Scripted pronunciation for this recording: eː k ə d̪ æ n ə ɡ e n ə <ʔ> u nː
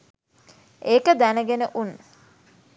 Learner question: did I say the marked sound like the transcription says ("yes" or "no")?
yes